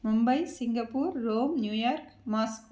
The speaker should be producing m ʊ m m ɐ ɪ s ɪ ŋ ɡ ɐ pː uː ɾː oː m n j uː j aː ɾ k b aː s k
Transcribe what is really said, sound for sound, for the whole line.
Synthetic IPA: m ʊ m b ɐ ɪ s ɪ ŋ ɡ ɐ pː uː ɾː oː m n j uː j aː ɾ k m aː s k